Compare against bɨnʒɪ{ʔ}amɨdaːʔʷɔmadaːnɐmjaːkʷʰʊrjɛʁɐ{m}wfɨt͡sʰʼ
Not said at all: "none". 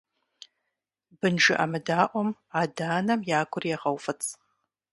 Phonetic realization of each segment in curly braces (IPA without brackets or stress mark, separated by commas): ʔ, none